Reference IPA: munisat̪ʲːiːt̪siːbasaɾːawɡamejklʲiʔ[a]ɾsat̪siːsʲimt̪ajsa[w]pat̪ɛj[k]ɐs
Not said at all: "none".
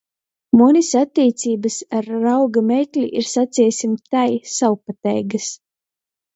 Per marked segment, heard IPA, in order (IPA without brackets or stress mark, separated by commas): i, w, ɡ